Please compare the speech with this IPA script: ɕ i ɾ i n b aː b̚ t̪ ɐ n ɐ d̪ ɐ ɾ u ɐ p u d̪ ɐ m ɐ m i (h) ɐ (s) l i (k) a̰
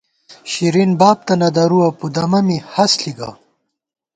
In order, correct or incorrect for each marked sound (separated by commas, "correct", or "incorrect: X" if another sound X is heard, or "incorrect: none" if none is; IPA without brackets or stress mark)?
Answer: correct, correct, incorrect: ɡ